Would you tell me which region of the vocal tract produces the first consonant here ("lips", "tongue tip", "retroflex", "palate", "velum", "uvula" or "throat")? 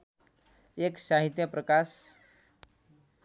velum